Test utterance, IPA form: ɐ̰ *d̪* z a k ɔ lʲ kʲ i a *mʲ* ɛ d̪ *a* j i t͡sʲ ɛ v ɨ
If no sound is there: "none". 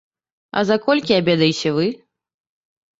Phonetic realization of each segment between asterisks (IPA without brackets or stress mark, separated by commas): none, bʲ, ɐ